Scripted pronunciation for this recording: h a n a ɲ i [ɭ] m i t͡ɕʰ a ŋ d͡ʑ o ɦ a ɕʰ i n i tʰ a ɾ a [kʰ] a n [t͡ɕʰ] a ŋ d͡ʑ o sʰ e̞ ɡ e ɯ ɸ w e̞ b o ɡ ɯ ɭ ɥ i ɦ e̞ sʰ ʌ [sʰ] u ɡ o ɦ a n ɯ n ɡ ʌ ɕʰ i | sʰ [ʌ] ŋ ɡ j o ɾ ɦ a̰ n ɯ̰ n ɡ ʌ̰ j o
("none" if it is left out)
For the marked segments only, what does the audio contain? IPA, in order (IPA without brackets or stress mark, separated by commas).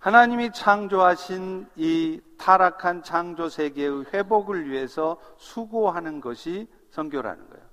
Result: none, kʰ, t͡ɕʰ, sʰ, ʌ